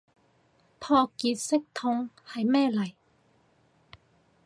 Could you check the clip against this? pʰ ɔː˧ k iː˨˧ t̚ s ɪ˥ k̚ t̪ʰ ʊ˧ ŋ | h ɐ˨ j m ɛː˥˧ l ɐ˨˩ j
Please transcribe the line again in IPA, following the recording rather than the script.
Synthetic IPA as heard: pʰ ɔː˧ k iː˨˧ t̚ s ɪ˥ k̚ t̪ʰ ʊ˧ ŋ | h ɐ˨ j m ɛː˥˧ l ɐ˨˩ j